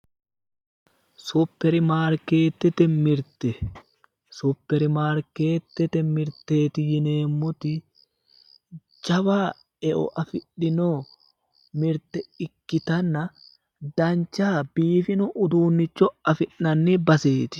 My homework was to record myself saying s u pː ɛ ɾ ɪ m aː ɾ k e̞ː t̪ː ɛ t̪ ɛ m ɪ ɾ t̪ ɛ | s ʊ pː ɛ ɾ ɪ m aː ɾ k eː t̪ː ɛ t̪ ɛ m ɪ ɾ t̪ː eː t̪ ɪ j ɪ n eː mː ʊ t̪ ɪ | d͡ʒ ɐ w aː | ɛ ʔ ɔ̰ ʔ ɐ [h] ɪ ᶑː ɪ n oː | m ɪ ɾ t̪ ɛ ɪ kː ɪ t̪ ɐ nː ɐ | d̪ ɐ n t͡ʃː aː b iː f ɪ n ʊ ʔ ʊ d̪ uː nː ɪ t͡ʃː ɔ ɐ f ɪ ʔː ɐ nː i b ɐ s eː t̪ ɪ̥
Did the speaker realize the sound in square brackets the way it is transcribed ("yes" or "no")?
no